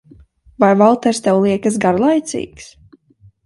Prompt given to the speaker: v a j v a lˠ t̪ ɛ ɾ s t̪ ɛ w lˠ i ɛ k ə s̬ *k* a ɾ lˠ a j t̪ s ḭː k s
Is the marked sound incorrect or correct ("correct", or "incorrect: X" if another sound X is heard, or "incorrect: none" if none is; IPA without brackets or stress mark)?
incorrect: ɡ